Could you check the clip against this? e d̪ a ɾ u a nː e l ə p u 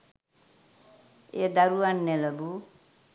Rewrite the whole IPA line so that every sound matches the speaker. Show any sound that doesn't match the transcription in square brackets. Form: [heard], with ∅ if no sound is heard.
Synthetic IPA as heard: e d̪ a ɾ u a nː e l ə [b] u